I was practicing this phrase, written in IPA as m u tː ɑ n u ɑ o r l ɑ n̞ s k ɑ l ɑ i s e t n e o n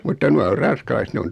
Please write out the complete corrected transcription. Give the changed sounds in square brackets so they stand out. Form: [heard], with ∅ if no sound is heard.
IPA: m u tː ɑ n u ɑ o r [r] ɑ n̞ s k ɑ l ɑ i s e t n e o n